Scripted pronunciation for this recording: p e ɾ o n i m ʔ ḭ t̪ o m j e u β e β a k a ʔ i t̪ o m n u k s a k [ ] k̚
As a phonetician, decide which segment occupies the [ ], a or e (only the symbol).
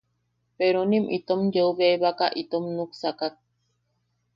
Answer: a